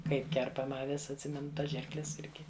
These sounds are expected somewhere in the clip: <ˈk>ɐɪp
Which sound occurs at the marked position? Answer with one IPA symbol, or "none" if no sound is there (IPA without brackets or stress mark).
k